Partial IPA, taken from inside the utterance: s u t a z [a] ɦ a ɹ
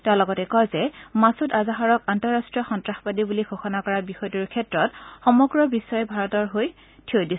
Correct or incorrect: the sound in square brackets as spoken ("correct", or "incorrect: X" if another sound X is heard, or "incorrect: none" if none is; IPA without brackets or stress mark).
correct